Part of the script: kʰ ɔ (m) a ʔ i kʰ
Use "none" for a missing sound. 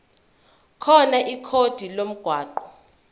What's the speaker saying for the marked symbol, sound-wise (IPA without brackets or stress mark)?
n